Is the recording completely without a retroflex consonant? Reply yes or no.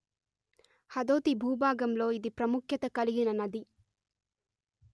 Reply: yes